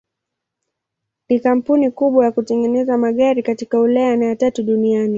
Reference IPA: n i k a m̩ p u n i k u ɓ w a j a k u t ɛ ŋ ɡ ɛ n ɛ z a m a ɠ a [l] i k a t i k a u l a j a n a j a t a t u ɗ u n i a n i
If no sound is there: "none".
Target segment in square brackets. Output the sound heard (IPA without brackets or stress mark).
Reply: ɾ